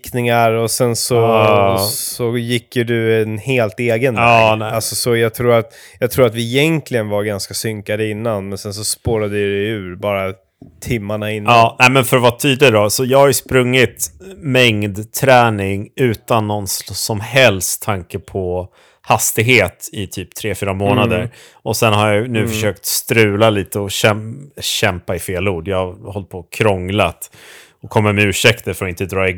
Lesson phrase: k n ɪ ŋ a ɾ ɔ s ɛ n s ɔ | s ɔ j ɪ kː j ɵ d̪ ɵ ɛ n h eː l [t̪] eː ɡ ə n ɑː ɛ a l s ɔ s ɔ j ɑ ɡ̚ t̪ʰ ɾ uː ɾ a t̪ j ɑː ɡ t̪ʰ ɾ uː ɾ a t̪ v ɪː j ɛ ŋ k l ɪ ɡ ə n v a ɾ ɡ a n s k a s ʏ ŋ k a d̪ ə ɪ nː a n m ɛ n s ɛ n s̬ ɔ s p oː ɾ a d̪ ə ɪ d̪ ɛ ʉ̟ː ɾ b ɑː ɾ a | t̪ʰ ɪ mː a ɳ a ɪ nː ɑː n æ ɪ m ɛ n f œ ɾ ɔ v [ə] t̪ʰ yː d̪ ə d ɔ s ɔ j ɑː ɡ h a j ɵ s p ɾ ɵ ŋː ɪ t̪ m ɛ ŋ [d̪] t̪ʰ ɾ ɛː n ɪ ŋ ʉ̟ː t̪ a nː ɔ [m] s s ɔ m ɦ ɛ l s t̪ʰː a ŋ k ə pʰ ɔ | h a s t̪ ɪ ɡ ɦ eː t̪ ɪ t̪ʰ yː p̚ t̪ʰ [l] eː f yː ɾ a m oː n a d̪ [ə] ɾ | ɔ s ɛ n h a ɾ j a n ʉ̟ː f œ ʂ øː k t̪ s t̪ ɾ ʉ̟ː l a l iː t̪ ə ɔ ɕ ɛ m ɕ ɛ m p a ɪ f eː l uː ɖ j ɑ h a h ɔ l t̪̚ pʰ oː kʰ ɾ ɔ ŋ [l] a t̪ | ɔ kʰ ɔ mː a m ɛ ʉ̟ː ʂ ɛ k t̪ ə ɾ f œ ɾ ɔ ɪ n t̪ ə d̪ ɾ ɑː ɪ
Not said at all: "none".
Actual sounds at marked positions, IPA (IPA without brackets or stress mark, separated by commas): t̪, a, d̪, n, ɾ, ə, l